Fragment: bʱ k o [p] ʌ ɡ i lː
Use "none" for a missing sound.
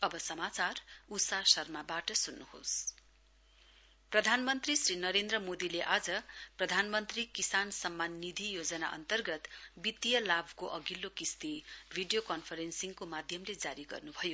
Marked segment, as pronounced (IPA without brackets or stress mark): ʔ